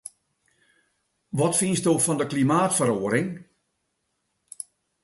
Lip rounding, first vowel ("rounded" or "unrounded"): rounded